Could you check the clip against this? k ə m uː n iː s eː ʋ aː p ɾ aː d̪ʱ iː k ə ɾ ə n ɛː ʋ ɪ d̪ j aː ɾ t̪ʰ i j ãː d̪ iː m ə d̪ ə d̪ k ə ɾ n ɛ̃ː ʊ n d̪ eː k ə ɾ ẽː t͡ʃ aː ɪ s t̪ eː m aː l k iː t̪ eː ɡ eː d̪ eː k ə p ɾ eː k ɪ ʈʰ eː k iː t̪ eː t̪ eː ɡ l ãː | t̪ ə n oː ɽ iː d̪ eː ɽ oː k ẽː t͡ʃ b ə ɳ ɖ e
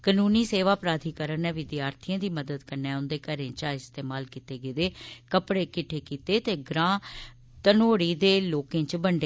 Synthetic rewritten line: k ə n uː n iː s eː ʋ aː p ɾ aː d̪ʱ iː k ə ɾ ə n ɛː ʋ ɪ d̪ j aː ɾ t̪ʰ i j ãː d̪ iː m ə d̪ ə d̪ k ə ɾ n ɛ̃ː ʊ n d̪ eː k ə ɾ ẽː t͡ʃ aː ɪ s t̪ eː m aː l k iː t̪ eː ɡ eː d̪ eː k ə p ɽ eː k ɪ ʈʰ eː k iː t̪ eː t̪ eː ɡ ɾ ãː | t̪ ə n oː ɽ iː d̪ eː l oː k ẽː t͡ʃ b ə ɳ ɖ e

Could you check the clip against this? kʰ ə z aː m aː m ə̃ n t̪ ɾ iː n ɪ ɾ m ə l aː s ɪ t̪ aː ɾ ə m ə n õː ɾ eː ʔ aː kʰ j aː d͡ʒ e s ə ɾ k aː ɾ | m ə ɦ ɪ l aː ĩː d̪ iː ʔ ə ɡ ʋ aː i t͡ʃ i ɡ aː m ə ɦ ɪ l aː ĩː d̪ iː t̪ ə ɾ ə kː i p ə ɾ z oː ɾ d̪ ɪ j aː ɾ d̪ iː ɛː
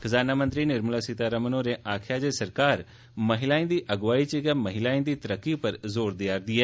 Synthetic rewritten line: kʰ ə z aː n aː m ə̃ n t̪ ɾ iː n ɪ ɾ m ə l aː s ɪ t̪ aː ɾ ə m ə n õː ɾ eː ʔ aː kʰ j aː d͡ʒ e s ə ɾ k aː ɾ | m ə ɦ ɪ l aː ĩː d̪ iː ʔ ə ɡ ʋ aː i t͡ʃ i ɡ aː m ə ɦ ɪ l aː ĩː d̪ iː t̪ ə ɾ ə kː i p ə ɾ z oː ɾ d̪ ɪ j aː ɾ d̪ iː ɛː

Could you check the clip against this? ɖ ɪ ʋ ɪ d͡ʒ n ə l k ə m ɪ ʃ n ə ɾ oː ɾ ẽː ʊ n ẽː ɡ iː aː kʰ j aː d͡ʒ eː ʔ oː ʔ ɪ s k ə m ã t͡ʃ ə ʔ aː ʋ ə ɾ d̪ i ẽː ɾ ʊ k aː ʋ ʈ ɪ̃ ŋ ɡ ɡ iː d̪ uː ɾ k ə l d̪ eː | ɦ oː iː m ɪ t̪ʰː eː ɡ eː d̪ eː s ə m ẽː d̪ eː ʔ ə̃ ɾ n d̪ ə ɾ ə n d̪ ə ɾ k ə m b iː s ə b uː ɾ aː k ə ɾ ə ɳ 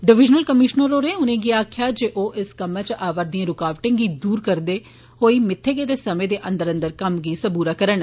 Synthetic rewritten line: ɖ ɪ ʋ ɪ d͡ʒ n ə l k ə m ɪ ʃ n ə ɾ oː ɾ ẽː ʊ n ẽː ɡ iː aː kʰ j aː d͡ʒ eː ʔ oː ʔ ɪ s k ə m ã t͡ʃ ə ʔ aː ʋ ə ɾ d̪ i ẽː ɾ ʊ k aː ʋ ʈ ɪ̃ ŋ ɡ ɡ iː d̪ uː ɾ k ə ɾ d̪ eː | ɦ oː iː m ɪ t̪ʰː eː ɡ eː d̪ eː s ə m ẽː d̪ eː ʔ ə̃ n d̪ ə ɾ ə n d̪ ə ɾ k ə m ɡ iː s ə b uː ɾ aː k ə ɾ ə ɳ

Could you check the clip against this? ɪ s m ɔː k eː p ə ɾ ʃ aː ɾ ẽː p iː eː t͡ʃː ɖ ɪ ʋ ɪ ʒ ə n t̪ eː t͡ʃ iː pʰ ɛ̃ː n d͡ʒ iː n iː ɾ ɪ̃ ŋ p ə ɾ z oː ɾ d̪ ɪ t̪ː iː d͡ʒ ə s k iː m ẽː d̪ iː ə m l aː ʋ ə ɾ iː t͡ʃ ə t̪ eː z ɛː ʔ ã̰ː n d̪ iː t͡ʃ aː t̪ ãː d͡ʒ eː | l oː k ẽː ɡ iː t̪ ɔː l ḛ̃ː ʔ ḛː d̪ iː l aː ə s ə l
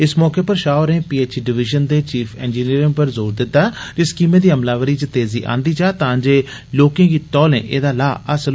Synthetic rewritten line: ɪ s m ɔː k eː p ə ɾ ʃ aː ɾ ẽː p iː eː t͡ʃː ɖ ɪ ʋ ɪ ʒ ə n d̪ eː t͡ʃ iː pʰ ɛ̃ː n d͡ʒ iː n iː ɾ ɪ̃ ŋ p ə ɾ z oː ɾ d̪ ɪ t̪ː aː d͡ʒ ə s k iː m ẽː d̪ iː ə m l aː ʋ ə ɾ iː t͡ʃ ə t̪ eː z iː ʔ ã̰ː n d̪ iː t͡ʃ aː t̪ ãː d͡ʒ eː | l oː k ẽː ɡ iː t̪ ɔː l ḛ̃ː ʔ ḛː d̪ aː l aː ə s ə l

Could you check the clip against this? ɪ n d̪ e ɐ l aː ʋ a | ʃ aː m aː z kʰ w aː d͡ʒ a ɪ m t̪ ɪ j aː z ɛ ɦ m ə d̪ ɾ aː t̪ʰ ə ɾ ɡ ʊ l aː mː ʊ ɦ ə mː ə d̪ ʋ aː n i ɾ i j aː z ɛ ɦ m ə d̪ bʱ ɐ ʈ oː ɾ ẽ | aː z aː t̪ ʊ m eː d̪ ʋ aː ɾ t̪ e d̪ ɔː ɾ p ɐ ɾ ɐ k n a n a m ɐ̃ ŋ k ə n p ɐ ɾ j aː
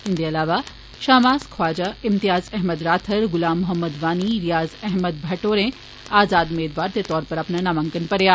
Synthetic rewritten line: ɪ n d̪ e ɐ l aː ʋ a | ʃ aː m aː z kʰ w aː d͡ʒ a ɪ m t̪ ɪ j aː z ɛ ɦ m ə d̪ ɾ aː t̪ʰ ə ɾ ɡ ʊ l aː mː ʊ ɦ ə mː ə d̪ ʋ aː n i ɾ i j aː z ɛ ɦ m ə d̪ bʱ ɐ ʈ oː ɾ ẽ | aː z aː d̪ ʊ m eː d̪ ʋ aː ɾ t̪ e t̪ ɔː ɾ p ɐ ɾ ɐ p n a n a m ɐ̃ ŋ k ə n p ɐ ɾ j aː

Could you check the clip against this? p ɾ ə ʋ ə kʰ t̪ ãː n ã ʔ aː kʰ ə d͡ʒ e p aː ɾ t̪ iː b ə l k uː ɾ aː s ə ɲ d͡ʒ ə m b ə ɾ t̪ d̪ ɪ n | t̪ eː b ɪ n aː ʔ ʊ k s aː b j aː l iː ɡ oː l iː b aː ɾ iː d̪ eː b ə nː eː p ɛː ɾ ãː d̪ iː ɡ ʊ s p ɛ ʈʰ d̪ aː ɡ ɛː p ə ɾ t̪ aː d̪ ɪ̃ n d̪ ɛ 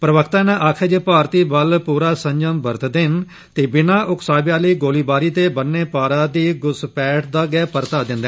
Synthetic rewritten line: p ɾ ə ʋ ə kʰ t̪ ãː n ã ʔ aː kʰ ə d͡ʒ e p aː ɾ t̪ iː b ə l p uː ɾ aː s ə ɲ d͡ʒ ə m b ə ɾ t̪ d̪ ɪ n | t̪ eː b ɪ n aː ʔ ʊ k s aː b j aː l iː ɡ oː l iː b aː ɾ iː t̪ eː b ə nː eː p aː ɾ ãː d̪ iː ɡ ʊ s p ɛː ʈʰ d̪ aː ɡ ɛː p ə ɾ t̪ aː d̪ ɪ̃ n d̪ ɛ

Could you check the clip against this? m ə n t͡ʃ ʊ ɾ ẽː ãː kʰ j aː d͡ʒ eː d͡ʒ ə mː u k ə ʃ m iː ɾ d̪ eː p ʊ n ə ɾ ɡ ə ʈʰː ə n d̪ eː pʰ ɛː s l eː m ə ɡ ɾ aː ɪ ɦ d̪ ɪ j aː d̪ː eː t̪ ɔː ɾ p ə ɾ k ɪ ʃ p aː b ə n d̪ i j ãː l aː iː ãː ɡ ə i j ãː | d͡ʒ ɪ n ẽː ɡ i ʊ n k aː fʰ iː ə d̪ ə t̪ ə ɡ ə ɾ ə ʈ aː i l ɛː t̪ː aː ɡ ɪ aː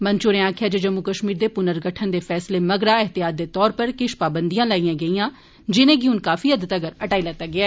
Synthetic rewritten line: m ə n t͡ʃ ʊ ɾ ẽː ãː kʰ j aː d͡ʒ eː d͡ʒ ə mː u k ə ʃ m iː ɾ d̪ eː p ʊ n ə ɾ ɡ ə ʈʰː ə n d̪ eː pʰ ɛː s l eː m ə ɡ ɾ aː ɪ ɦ t̪ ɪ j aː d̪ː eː t̪ ɔː ɾ p ə ɾ k ɪ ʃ p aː b ə n d̪ i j ãː l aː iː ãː ɡ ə i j ãː | d͡ʒ ɪ n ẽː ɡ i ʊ n k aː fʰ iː ə d̪ ə t̪ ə ɡ ə ɾ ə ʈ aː i l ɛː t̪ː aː ɡ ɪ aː

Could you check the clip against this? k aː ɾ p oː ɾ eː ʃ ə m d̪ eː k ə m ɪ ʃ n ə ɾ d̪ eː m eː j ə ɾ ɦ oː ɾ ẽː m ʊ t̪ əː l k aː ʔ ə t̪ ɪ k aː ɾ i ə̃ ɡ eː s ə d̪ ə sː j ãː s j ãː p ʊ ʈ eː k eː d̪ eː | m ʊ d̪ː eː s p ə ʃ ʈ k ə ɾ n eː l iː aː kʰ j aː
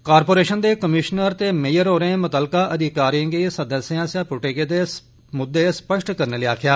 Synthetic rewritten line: k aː ɾ p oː ɾ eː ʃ ə n d̪ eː k ə m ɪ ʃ n ə ɾ t̪ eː m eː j ə ɾ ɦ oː ɾ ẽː m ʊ t̪ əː l k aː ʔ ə d̪ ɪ k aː ɾ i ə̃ ɡ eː s ə d̪ ə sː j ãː s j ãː p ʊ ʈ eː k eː d̪ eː | m ʊ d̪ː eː s p ə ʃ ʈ k ə ɾ n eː l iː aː kʰ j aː

